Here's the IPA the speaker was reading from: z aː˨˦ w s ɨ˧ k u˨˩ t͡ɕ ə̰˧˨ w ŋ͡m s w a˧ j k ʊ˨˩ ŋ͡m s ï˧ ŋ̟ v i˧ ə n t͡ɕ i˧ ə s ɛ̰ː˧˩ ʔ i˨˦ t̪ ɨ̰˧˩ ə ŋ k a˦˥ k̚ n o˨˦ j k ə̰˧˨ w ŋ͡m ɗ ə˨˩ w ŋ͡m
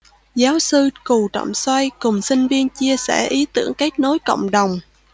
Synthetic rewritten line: z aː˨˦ w s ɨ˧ k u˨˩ t͡ɕ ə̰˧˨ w ŋ͡m s w a˧ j k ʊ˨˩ ŋ͡m s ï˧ ŋ̟ v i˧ ə n t͡ɕ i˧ ə s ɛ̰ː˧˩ ʔ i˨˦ t̪ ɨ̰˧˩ ə ŋ k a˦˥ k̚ n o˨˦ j k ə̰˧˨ w ŋ͡m ɗ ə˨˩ w ŋ͡m